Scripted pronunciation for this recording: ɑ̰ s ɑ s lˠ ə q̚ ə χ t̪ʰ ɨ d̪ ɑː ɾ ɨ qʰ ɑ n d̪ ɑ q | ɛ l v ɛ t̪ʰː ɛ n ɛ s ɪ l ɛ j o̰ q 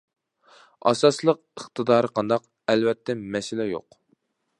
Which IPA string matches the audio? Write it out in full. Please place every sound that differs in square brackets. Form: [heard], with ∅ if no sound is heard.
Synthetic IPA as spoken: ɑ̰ s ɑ s lˠ ə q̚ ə χ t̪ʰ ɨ d̪ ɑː ɾ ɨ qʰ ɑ n d̪ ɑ q | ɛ l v ɛ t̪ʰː ɛ [m] ɛ s ɪ l ɛ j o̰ q